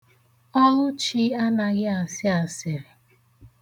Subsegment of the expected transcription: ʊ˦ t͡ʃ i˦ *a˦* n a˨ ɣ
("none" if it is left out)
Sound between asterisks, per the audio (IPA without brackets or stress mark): a˦